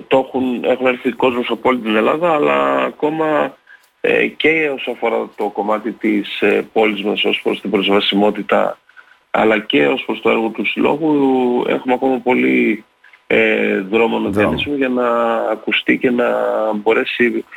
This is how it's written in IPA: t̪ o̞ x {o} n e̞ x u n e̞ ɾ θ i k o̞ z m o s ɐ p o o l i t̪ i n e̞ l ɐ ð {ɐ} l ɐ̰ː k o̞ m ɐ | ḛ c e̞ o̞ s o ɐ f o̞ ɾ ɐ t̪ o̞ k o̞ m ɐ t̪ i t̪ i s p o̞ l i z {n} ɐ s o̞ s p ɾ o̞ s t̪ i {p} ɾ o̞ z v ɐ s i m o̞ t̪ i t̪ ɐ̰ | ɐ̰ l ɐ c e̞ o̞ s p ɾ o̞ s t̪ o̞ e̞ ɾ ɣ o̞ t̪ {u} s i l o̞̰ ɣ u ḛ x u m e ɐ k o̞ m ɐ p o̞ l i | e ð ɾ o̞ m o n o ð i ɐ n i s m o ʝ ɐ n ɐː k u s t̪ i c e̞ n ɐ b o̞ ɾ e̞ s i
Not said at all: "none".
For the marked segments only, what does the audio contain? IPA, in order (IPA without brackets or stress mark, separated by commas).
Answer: u, ɐː, m, b, u